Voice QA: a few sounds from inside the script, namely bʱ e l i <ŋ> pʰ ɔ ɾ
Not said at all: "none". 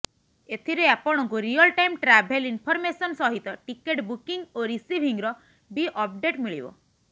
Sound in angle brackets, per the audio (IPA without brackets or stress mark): n